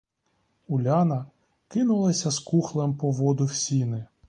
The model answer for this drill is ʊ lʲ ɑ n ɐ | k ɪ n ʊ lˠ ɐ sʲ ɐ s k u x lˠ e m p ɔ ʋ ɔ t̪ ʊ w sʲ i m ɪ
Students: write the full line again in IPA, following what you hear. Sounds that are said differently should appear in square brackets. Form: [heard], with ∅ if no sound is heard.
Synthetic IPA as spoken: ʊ lʲ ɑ n ɐ | k ɪ n ʊ lˠ ɐ sʲ ɐ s k u x lˠ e m p ɔ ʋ ɔ [d̪] ʊ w sʲ i [n] ɪ